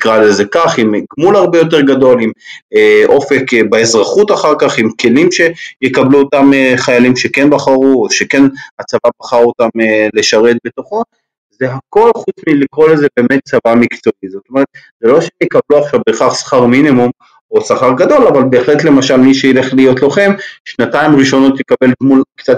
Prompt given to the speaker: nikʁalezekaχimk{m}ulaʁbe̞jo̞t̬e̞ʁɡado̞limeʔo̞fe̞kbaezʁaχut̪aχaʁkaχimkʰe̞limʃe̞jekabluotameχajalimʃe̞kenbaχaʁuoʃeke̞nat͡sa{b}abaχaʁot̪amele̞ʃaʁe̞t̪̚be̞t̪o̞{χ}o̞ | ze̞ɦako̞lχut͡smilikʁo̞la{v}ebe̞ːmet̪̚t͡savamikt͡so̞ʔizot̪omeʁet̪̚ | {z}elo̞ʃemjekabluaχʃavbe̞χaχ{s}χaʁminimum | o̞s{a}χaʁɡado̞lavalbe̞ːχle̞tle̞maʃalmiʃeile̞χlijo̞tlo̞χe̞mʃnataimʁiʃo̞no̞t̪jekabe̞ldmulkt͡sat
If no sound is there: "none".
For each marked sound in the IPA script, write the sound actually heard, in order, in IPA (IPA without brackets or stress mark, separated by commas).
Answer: m, v, χ, z, z, s, a